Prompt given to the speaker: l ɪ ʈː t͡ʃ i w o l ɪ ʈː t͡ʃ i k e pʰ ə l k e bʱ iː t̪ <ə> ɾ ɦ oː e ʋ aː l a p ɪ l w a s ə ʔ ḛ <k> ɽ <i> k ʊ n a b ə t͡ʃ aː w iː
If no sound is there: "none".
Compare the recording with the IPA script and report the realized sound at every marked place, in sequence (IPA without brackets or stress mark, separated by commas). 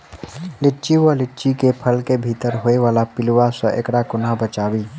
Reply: ə, k, a